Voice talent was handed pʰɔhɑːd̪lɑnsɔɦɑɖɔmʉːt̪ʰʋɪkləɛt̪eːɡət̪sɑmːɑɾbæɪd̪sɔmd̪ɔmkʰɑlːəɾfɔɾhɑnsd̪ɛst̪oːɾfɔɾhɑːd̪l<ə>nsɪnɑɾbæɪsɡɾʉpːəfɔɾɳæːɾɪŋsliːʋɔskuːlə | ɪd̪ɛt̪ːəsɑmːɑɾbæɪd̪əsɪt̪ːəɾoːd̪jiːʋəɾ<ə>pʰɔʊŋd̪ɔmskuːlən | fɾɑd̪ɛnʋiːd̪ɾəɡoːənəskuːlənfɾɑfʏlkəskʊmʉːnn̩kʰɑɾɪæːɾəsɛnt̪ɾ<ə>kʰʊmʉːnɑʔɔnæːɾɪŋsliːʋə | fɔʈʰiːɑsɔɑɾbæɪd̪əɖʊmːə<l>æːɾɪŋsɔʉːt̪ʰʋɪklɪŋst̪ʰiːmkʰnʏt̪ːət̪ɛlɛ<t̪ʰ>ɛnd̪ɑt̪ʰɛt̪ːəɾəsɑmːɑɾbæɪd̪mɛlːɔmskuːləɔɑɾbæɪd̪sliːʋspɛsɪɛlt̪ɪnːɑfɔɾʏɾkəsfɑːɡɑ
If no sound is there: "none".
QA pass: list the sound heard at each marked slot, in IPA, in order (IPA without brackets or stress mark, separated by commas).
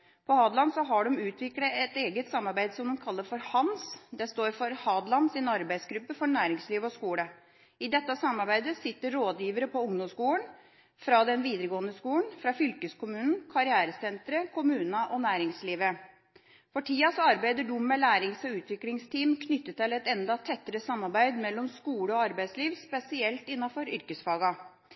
ɑ, ə, ə, l, t̪